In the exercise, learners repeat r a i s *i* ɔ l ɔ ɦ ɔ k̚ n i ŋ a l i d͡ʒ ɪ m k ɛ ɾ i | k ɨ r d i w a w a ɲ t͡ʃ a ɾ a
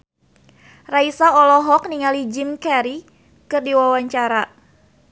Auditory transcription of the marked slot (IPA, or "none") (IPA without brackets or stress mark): a